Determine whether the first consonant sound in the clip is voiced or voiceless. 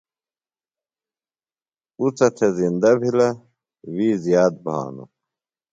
voiceless